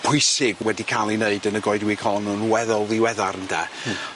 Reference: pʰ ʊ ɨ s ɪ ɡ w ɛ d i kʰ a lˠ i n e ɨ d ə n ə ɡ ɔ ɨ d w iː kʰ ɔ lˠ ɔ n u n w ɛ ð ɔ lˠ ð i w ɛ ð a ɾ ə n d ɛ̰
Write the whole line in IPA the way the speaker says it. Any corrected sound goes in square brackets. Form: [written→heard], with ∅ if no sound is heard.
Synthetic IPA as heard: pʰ ʊ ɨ s ɪ ɡ w ɛ d i kʰ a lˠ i n e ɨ d ə n ə ɡ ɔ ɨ d w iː kʰ ɔ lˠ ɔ n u n w ɛ ð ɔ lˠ ð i w ɛ ð a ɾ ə n d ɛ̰